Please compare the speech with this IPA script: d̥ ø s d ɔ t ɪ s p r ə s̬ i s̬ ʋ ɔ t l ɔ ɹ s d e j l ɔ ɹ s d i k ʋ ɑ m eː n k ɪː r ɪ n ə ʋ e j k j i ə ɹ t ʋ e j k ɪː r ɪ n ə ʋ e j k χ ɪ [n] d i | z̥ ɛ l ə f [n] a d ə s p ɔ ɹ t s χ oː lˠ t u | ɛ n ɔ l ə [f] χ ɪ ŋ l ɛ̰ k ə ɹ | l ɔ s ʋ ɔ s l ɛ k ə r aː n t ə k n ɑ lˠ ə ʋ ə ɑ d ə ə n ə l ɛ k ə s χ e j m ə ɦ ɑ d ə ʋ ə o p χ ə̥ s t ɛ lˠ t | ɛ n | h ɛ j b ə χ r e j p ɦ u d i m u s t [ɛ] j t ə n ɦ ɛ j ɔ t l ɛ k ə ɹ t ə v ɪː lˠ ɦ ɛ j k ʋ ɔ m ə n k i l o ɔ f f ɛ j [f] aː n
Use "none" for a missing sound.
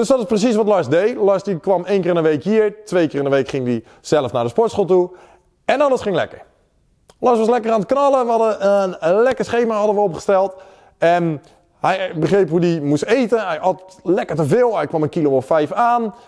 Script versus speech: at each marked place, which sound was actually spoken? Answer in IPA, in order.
ŋ, n, s, e, f

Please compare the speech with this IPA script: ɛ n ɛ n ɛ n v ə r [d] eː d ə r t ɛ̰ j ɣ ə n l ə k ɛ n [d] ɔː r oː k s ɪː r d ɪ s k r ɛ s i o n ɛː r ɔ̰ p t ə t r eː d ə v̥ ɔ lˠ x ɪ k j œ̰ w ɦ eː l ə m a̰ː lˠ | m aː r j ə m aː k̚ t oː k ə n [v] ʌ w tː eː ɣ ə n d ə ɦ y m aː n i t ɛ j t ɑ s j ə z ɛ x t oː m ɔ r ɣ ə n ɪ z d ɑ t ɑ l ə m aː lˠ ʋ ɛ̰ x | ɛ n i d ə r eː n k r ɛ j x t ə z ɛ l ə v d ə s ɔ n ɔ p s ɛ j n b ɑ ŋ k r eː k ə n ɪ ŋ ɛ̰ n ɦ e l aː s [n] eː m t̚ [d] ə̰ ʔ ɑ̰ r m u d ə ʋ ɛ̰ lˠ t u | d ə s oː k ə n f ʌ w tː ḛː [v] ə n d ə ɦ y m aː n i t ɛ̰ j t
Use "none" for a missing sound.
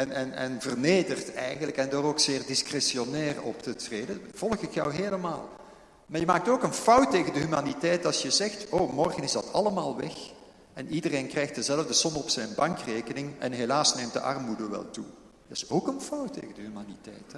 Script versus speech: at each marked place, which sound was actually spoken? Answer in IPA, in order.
n, d, f, n, d, ɣ

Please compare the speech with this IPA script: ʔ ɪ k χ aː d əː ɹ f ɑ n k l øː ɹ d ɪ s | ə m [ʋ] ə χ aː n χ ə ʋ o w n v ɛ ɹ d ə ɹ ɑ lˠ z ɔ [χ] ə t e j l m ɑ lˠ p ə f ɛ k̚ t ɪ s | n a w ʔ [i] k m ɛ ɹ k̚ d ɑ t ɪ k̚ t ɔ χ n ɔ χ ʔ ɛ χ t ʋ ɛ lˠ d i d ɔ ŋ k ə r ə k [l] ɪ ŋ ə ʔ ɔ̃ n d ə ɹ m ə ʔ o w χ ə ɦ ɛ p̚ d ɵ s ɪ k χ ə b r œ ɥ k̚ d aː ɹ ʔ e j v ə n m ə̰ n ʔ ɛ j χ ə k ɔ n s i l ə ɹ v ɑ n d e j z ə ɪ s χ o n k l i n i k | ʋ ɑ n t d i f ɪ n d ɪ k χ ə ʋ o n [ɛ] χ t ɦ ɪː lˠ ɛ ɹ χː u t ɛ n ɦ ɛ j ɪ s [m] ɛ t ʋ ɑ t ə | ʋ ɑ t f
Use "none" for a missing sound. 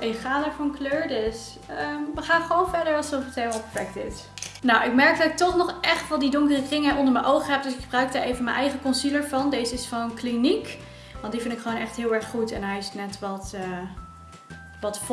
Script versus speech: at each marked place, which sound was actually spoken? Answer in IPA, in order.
ʋ, f, ɪ, r, ɛ, n

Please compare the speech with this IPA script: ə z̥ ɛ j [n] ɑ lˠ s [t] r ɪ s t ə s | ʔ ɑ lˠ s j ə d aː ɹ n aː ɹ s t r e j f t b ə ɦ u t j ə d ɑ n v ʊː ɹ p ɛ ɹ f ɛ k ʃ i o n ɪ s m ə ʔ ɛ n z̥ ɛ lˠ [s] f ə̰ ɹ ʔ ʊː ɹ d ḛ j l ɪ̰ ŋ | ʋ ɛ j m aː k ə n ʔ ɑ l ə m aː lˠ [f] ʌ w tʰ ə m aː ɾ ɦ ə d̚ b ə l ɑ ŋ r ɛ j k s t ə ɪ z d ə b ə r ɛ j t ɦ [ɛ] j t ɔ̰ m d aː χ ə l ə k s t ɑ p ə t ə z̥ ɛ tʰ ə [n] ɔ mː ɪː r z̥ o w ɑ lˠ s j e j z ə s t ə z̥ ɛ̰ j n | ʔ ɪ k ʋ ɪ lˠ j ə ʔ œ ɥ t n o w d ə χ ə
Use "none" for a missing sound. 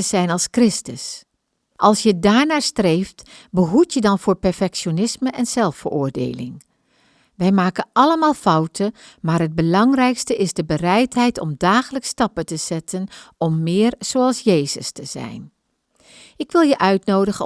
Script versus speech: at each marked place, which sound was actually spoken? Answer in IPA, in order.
n, k, f, f, ɛ, n

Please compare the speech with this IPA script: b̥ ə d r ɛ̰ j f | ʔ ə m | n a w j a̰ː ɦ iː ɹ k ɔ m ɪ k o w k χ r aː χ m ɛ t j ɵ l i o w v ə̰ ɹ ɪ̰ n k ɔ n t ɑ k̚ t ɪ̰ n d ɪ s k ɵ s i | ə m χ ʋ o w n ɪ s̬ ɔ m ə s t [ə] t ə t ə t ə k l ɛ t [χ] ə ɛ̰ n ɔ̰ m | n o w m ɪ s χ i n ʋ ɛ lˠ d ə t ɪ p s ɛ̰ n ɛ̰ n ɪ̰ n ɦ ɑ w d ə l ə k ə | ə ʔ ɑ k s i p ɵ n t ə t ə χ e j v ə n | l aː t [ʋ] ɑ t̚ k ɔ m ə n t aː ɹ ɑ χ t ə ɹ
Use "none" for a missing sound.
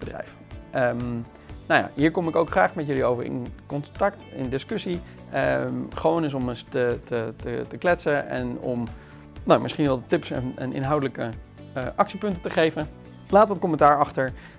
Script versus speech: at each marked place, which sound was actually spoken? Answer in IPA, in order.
ə, s, ʋ

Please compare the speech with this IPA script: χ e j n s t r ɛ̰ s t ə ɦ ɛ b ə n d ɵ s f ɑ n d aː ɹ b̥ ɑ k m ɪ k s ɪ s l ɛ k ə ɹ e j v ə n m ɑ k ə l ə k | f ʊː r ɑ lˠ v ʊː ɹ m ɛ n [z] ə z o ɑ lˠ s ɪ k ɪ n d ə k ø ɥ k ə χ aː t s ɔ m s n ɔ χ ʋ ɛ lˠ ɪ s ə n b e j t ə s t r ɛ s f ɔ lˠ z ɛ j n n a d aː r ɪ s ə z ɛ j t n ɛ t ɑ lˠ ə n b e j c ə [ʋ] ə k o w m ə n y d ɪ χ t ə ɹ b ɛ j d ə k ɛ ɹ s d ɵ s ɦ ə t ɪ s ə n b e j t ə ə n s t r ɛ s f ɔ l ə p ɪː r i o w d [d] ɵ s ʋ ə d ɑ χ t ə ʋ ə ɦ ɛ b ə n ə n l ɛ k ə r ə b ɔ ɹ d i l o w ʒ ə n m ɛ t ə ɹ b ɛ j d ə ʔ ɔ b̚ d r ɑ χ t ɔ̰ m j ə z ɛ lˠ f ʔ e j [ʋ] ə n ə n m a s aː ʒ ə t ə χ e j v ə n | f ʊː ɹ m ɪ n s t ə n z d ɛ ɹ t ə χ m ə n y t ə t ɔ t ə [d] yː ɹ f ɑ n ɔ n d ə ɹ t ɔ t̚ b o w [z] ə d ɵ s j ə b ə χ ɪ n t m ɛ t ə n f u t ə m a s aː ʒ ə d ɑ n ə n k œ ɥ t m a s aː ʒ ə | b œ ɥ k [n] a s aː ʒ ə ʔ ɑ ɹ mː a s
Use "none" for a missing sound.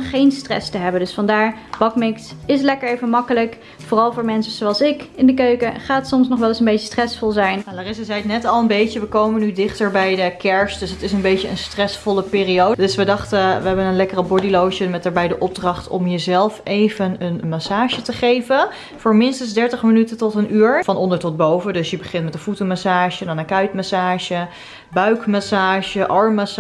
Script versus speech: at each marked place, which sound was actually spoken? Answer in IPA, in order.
s, ʋ, d, v, n, v, m

